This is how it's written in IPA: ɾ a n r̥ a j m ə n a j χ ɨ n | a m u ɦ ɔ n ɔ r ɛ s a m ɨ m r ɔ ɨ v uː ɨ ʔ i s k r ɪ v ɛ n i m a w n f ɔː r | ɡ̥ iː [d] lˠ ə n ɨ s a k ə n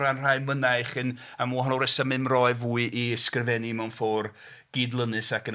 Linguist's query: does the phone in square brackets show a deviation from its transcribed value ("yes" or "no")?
no